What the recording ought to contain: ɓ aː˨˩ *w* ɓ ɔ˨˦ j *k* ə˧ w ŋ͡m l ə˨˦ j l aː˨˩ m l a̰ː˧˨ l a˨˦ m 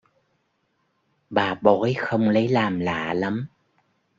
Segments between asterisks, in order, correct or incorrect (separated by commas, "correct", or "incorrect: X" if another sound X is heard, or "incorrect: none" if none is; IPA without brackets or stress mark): incorrect: none, incorrect: x